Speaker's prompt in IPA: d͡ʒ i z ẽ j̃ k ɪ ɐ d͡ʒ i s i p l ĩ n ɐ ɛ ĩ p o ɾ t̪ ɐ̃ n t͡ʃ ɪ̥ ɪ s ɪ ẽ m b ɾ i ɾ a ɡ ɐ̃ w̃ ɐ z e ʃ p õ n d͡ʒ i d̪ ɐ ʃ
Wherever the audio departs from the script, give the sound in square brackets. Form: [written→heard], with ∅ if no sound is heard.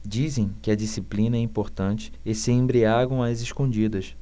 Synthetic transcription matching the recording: d͡ʒ i z ẽ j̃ k ɪ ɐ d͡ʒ i s i p l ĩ n ɐ ɛ ĩ p o ɾ t̪ ɐ̃ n t͡ʃ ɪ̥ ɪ s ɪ ẽ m b ɾ i [ɾ→∅] a ɡ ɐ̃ w̃ ɐ z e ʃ [p→k] õ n d͡ʒ i d̪ ɐ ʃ